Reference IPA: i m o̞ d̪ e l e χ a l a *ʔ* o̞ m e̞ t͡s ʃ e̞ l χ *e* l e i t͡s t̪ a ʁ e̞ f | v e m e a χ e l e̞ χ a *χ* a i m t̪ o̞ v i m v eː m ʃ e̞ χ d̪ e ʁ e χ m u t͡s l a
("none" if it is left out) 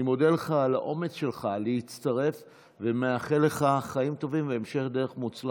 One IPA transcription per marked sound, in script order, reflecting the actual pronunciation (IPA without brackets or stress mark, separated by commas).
ʔ, a, χ